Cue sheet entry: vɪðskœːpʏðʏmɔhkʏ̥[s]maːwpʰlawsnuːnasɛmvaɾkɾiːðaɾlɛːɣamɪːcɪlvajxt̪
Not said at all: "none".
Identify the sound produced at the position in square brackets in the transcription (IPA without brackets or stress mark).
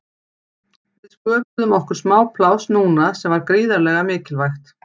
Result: s